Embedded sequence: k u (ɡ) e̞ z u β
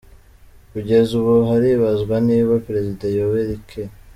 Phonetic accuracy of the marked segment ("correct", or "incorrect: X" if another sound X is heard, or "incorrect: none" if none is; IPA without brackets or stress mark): incorrect: ɟ